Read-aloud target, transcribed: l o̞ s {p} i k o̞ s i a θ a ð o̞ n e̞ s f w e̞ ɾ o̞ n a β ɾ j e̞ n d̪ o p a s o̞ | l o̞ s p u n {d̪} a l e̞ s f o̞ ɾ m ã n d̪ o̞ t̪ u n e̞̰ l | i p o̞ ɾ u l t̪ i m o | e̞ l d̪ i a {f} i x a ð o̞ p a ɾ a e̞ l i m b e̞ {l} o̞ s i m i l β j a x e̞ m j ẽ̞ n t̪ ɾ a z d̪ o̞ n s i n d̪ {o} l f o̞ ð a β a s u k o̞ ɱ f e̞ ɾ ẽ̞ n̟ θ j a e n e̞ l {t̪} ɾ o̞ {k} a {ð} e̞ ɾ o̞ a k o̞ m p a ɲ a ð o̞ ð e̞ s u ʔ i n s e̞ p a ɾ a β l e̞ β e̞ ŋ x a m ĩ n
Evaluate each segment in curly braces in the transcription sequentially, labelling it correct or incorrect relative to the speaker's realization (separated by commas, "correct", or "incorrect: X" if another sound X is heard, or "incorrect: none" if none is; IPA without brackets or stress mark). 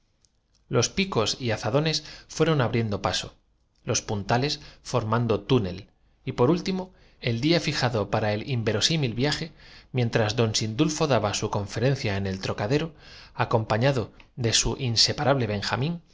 correct, incorrect: t̪, correct, incorrect: ɾ, incorrect: u, correct, correct, correct